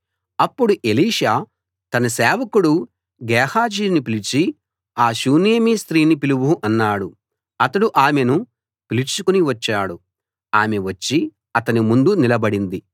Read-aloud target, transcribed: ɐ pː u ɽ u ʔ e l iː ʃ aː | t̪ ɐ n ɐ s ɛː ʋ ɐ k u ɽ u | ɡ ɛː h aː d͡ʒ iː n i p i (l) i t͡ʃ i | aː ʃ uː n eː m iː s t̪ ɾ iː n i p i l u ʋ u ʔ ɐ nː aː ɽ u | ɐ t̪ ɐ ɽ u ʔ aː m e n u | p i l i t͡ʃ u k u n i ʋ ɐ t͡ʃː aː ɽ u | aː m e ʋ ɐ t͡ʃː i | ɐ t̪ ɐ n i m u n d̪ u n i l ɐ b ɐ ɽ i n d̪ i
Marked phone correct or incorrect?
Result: correct